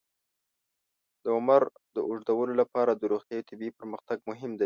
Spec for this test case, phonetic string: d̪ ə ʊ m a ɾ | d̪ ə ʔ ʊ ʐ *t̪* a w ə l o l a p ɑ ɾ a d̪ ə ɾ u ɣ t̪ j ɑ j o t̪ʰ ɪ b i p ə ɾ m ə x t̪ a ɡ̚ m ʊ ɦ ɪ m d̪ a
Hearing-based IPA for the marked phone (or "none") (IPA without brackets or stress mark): d̪